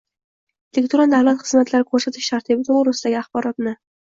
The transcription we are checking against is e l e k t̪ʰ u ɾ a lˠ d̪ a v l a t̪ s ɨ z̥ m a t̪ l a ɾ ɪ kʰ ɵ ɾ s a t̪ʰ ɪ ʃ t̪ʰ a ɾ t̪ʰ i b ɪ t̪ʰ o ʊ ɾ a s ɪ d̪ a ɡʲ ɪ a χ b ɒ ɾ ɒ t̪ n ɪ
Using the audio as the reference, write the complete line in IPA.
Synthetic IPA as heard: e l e k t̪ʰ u ɾ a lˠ d̪ a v l a t̪ χ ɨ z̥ m a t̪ l a ɾ ɪ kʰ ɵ ɾ s a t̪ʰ ɪ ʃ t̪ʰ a ɾ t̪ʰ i b ɪ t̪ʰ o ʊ ɾ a s ɪ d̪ a ɡʲ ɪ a χ b ɒ ɾ ɒ t̪ n ɪ